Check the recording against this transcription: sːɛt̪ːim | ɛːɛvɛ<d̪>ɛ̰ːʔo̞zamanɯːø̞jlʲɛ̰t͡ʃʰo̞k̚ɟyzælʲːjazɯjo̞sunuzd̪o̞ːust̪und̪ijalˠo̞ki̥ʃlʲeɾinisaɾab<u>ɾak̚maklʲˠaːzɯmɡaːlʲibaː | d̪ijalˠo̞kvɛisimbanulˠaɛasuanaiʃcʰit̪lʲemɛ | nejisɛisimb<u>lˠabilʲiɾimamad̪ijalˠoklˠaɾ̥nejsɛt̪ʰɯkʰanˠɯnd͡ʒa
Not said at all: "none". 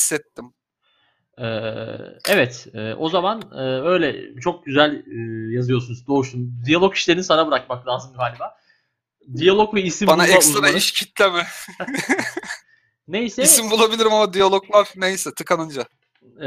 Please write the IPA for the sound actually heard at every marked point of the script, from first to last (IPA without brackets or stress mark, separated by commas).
t̪, ɯ, u